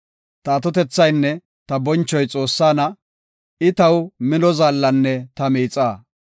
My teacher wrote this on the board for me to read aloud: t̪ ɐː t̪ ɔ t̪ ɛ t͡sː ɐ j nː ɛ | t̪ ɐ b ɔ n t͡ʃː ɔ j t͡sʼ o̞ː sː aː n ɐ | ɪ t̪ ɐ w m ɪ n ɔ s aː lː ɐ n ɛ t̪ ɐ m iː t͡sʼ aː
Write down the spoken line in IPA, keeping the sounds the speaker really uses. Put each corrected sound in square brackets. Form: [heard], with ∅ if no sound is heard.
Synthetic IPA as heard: t̪ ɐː t̪ ɔ t̪ ɛ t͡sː ɐ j nː ɛ | t̪ ɐ b ɔ n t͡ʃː ɔ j t͡sʼ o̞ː sː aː n ɐ | ɪ t̪ ɐ w m ɪ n ɔ [z] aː lː ɐ [nː] ɛ t̪ ɐ m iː t͡sʼ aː